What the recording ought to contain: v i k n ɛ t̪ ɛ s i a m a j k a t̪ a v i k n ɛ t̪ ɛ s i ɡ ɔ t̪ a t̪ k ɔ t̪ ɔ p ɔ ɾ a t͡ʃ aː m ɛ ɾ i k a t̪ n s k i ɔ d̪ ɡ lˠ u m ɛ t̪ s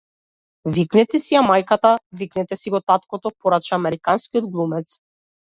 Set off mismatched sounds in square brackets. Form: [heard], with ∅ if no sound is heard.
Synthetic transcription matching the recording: v i k n ɛ t̪ ɛ s i a m a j k a t̪ a v i k n ɛ t̪ ɛ s i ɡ ɔ t̪ a t̪ k ɔ t̪ ɔ p ɔ ɾ a t͡ʃ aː m ɛ ɾ i k a [∅] n s k i ɔ d̪ ɡ lˠ u m ɛ t̪ s